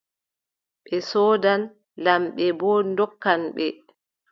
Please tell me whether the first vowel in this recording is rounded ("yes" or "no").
no